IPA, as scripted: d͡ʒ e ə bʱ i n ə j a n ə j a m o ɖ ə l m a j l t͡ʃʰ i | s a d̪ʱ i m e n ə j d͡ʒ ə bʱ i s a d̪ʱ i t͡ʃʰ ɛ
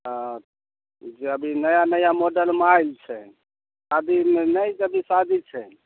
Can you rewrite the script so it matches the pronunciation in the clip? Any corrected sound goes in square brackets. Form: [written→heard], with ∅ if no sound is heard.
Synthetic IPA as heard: d͡ʒ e ə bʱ i n ə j a n ə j a m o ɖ ə l m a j l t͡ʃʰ [i→ɛ] | s a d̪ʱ i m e n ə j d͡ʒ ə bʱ i s a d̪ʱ i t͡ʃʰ ɛ